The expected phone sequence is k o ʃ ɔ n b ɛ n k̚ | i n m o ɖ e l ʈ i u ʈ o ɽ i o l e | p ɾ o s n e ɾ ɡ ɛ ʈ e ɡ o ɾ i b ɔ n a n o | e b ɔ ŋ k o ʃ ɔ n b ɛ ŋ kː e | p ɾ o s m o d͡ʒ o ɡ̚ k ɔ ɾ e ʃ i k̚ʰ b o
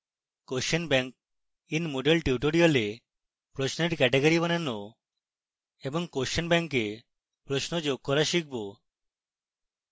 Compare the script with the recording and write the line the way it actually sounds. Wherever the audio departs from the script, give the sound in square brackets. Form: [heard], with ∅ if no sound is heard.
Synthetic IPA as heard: k o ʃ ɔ n b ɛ [ŋ] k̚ | i n m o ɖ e l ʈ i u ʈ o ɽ i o l e | p ɾ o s n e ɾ [k] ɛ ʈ e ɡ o ɾ i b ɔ n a n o | e b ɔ ŋ k o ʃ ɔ n b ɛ ŋ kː e | p ɾ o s [n] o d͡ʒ o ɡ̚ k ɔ ɾ [a] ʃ i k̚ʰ b o